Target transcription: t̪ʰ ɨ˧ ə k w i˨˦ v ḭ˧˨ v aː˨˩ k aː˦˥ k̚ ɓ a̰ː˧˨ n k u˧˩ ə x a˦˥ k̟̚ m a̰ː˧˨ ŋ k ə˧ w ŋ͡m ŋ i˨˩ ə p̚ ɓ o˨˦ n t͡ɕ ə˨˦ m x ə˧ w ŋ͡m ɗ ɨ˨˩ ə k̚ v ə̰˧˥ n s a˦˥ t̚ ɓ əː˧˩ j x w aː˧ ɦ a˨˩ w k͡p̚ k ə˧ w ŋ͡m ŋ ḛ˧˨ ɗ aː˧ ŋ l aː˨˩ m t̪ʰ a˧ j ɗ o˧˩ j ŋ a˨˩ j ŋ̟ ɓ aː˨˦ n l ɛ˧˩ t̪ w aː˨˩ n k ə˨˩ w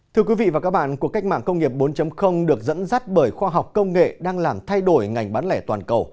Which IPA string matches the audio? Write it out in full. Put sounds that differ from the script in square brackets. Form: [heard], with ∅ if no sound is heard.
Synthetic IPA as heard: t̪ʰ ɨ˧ ə k w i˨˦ v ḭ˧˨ v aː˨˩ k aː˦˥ k̚ ɓ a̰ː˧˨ n k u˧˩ ə [k] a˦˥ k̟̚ m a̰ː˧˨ ŋ k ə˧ w ŋ͡m ŋ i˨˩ ə p̚ ɓ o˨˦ n t͡ɕ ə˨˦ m x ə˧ w ŋ͡m ɗ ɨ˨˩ ə k̚ [z] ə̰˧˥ n [z] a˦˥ t̚ ɓ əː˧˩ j x w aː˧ ɦ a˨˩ w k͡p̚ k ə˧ w ŋ͡m ŋ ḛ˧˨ ɗ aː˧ ŋ l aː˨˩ m t̪ʰ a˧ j ɗ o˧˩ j ŋ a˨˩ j ŋ̟ ɓ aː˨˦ n l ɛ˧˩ t̪ w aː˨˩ n k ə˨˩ w